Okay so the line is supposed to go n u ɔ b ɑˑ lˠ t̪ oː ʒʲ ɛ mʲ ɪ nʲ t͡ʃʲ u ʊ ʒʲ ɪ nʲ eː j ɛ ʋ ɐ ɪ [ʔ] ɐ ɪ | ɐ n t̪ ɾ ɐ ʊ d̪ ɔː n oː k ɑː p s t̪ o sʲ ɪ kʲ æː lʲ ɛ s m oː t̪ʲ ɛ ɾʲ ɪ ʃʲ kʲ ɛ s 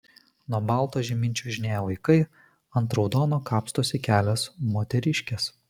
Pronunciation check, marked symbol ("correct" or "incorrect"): incorrect